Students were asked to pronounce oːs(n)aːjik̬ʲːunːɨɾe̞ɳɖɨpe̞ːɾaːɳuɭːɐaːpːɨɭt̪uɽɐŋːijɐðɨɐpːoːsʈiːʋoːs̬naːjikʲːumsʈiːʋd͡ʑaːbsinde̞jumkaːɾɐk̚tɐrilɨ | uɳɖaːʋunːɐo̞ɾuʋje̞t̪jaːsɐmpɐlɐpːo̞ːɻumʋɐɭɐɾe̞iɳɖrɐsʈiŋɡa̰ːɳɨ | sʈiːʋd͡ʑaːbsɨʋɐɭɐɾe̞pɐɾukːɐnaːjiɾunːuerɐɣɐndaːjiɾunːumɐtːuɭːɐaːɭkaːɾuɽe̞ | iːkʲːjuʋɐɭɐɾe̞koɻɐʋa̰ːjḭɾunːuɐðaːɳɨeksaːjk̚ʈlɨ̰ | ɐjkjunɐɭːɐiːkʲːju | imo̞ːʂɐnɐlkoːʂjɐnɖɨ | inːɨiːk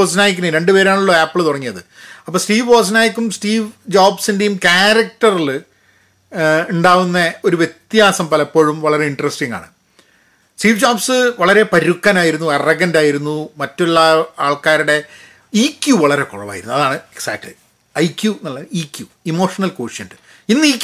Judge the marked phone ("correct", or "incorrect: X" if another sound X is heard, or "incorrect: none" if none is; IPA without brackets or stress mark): correct